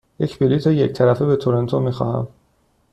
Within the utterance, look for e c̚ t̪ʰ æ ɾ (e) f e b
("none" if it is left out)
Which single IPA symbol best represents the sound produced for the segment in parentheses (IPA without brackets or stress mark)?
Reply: æ